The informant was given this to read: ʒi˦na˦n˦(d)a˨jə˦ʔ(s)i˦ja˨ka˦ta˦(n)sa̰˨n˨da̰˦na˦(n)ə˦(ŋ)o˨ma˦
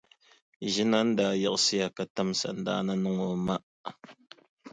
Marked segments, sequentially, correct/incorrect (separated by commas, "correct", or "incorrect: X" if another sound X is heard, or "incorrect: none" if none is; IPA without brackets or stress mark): correct, correct, incorrect: m, correct, correct